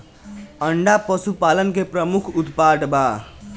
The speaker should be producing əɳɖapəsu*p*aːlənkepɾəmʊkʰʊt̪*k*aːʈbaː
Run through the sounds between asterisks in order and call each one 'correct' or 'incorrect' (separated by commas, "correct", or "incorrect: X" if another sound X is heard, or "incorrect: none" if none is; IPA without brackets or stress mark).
correct, incorrect: p